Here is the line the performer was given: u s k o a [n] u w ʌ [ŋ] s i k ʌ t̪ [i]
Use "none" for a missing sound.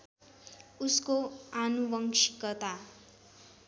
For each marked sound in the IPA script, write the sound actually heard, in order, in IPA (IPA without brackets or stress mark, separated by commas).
n, ŋ, a